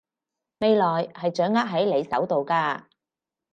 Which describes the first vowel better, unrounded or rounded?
unrounded